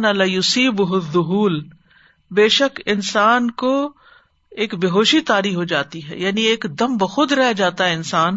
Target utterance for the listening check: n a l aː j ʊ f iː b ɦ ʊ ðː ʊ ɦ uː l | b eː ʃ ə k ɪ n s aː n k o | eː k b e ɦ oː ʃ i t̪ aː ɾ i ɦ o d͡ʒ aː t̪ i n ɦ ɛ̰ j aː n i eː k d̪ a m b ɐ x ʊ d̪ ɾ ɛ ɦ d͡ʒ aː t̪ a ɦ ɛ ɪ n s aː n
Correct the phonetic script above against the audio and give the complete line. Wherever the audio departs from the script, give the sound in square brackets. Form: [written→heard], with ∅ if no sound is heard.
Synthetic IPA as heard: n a l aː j ʊ [f→s] iː b ɦ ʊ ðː ʊ ɦ uː l | b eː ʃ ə k ɪ n s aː n k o | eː k b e ɦ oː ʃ i t̪ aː ɾ i ɦ o d͡ʒ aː t̪ i [n→∅] ɦ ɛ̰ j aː n i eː k d̪ [a→ɐ] m b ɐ x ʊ d̪ ɾ ɛ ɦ d͡ʒ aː t̪ a ɦ ɛ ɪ n s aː n